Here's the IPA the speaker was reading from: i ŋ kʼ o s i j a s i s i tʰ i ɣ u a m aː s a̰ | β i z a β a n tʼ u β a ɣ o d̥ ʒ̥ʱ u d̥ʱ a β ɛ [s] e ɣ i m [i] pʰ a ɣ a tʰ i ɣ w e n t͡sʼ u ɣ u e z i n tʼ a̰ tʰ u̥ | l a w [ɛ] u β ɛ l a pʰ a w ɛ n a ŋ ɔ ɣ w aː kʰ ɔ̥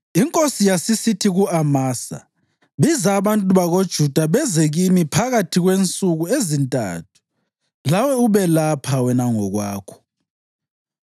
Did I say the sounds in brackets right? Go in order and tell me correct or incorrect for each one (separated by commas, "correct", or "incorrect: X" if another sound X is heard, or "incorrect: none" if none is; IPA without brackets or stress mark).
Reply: incorrect: z, correct, correct